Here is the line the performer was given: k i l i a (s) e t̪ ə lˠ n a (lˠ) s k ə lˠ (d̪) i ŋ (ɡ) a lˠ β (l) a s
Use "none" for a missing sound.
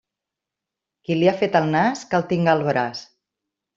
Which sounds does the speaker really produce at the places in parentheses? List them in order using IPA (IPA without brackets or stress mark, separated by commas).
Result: f, none, t̪, ɡ, ɾ